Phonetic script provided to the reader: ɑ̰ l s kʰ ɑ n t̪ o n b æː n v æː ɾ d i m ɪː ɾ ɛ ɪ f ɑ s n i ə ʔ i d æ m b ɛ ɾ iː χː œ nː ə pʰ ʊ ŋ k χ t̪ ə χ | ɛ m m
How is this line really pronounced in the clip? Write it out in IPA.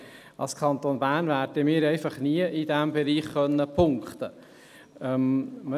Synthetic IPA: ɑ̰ l s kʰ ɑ n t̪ o n b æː n v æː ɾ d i m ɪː ɾ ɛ ɪ f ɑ χ n i ə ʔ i d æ m b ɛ ɾ iː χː œ nː ə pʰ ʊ ŋ k χ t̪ ə | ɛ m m